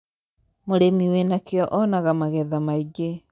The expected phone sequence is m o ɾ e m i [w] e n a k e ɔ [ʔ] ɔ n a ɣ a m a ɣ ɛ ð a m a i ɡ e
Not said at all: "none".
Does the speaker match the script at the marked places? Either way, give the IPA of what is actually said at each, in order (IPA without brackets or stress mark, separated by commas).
w, ʔ